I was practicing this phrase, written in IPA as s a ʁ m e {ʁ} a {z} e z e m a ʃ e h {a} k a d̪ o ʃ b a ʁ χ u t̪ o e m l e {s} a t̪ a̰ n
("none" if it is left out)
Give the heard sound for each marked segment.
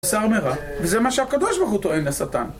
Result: ʁ, v, a, s

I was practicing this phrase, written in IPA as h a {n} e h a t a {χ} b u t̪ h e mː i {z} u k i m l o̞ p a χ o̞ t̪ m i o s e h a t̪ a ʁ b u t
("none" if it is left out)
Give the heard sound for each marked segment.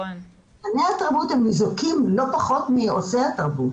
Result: n, ʁ, z

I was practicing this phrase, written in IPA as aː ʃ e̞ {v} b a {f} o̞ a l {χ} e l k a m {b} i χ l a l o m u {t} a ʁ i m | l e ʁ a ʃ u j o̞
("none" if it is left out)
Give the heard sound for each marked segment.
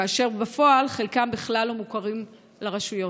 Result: ʁ, f, χ, b, k

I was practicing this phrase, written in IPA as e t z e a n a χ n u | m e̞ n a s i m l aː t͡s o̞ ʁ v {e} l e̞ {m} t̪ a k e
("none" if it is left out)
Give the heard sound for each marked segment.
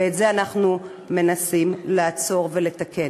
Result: e, none

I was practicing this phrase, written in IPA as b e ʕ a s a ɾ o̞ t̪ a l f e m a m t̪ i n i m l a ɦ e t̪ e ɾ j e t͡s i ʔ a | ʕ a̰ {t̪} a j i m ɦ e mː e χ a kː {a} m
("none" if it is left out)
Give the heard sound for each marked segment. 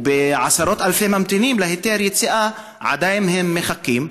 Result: d̪, i

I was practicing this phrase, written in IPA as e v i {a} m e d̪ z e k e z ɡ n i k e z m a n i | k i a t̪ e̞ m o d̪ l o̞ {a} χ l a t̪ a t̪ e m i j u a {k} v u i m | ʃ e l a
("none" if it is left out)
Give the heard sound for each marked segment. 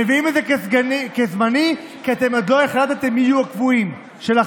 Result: i, e, k

